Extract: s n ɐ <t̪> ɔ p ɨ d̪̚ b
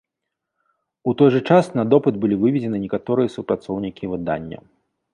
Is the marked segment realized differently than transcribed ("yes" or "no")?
yes